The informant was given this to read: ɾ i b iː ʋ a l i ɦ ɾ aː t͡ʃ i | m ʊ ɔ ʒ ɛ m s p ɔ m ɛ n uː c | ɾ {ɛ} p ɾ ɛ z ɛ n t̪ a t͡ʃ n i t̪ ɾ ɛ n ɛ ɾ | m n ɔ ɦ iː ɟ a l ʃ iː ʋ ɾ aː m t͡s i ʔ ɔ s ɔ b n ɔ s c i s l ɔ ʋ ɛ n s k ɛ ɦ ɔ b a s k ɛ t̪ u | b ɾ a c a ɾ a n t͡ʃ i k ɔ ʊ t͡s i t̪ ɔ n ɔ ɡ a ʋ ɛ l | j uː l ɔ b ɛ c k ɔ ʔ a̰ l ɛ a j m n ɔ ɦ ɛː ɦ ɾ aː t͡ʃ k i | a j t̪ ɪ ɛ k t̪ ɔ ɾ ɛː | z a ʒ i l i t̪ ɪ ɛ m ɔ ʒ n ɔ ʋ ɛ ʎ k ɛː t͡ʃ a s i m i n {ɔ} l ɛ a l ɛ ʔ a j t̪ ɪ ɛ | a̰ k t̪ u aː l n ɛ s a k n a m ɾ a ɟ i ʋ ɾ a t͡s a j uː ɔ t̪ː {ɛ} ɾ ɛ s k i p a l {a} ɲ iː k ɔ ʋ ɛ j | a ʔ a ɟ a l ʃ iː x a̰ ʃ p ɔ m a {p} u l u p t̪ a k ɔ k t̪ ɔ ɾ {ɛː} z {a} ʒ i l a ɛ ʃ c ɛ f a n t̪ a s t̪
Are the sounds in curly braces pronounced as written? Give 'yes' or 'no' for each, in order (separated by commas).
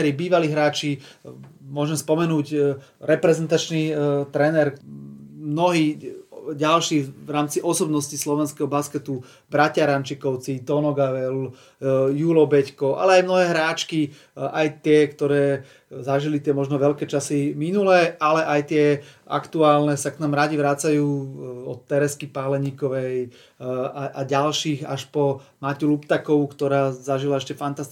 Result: yes, no, yes, no, no, no, yes